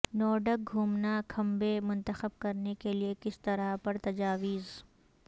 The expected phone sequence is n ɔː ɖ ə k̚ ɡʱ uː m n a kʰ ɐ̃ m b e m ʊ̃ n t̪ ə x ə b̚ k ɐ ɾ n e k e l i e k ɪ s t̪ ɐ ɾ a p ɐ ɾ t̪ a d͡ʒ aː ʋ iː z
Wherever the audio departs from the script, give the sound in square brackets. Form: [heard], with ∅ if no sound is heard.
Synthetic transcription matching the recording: n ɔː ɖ ə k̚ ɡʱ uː m n a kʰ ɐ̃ m b e m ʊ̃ n t̪ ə x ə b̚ k ɐ ɾ n e k e l i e k ɪ s t̪ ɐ ɾ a p ɐ ɾ t̪ [ɐ] d͡ʒ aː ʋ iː z